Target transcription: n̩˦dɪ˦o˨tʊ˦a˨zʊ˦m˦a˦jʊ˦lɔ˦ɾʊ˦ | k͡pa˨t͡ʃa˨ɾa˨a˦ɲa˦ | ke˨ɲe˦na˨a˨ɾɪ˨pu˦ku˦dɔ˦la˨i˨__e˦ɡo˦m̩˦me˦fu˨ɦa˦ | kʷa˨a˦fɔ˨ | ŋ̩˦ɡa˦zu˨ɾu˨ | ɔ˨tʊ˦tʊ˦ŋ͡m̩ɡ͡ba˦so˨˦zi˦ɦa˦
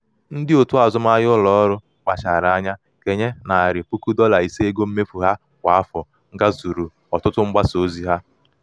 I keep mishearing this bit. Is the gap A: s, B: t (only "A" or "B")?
A